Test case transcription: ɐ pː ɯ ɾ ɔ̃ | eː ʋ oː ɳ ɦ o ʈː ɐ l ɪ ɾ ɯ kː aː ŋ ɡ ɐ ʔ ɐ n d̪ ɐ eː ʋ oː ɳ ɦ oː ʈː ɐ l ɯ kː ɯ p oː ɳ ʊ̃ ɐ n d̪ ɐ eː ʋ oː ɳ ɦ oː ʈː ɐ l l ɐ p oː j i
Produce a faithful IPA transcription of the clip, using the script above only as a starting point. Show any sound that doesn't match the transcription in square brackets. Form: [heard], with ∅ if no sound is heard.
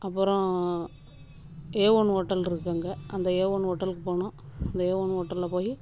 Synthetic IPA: ɐ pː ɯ ɾ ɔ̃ | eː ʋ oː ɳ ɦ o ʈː ɐ l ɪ ɾ ɯ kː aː ŋ ɡ ɐ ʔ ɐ n d̪ ɐ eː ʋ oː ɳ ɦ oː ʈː ɐ l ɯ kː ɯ p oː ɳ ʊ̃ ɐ n d̪ ɐ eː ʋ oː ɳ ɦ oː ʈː ɐ l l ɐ p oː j i